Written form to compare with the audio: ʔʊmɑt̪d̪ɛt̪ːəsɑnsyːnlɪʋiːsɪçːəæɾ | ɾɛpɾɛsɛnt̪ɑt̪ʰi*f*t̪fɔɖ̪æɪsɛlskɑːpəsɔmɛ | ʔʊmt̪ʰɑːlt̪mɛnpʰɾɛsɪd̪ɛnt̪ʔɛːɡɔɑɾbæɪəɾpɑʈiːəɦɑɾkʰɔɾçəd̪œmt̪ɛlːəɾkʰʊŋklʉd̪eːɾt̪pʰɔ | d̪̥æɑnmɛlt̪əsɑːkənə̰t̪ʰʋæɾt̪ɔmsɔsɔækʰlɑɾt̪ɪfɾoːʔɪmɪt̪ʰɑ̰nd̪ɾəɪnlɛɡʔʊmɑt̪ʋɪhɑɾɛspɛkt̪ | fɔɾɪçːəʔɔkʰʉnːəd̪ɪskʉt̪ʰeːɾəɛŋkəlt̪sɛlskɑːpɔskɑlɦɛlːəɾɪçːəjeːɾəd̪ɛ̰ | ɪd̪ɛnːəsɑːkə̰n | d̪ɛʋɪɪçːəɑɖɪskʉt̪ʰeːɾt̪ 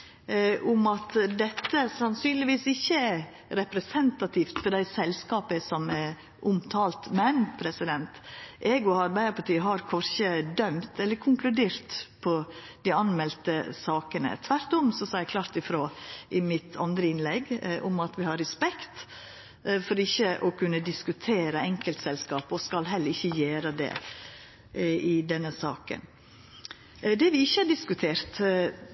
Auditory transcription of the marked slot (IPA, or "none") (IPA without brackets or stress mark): f